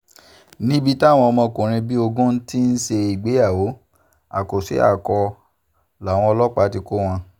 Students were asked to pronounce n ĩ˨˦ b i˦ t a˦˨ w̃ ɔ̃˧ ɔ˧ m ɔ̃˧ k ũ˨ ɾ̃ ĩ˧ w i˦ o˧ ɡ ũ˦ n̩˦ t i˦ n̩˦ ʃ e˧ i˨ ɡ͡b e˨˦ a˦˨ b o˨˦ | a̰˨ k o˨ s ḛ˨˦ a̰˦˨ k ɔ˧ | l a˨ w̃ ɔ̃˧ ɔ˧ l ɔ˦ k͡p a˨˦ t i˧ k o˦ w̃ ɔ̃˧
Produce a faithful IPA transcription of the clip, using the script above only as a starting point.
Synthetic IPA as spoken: n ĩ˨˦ b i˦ t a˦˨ w̃ ɔ̃˧ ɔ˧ m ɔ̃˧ k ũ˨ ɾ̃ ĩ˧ b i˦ o˧ ɡ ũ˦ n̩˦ t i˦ n̩˦ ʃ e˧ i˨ ɡ͡b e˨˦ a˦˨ w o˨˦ | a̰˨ k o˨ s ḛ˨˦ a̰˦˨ k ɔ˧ | l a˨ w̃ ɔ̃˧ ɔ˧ l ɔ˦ k͡p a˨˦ t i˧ k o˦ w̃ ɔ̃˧

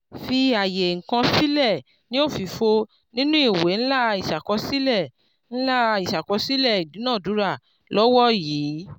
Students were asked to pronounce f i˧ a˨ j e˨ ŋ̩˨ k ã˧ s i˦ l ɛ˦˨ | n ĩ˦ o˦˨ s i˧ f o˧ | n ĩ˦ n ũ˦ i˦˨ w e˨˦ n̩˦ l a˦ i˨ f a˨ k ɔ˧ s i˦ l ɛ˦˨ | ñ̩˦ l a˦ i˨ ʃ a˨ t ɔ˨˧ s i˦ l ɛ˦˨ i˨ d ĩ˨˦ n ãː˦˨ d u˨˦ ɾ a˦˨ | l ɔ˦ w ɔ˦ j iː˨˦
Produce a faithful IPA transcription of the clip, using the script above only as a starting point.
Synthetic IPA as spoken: f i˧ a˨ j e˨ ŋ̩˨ k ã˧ s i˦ l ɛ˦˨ | n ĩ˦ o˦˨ f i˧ f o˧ | n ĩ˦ n ũ˦ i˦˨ w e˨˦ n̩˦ l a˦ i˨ ʃ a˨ k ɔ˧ s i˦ l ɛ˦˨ | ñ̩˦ l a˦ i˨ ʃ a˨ k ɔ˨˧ s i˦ l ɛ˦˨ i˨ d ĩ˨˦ n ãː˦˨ d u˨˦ ɾ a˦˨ | l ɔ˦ w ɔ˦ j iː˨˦

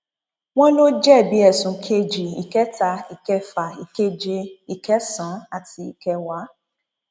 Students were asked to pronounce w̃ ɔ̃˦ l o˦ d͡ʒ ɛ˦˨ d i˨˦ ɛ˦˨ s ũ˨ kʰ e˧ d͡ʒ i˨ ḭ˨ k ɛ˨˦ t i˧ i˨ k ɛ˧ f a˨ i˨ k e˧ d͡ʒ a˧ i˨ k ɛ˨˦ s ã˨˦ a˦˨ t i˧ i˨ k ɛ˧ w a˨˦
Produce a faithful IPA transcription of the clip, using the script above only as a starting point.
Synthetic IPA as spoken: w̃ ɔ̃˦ l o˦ d͡ʒ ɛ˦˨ b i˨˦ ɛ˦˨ s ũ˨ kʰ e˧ d͡ʒ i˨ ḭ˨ k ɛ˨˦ t a˧ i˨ k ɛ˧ f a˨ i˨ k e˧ d͡ʒ e˧ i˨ k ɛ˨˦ s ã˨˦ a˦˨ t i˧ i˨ k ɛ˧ w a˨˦

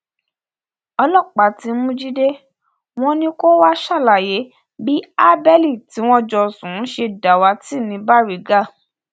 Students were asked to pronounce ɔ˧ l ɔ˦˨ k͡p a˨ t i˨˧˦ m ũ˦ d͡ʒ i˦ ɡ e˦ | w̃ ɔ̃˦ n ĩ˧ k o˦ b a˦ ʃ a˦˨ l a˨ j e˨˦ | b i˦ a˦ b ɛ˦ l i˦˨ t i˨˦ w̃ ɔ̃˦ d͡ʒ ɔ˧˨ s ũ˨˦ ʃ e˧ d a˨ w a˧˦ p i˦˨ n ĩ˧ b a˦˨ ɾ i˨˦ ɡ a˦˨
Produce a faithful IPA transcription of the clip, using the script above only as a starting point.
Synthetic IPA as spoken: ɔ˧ l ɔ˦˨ k͡p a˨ t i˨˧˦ m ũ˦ d͡ʒ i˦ d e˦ | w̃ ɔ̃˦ n ĩ˧ k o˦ w a˦ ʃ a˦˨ l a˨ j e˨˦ | b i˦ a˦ b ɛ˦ l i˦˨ t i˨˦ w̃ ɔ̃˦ d͡ʒ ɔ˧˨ s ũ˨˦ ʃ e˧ d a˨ w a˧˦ t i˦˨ n ĩ˧ b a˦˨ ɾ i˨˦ ɡ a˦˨

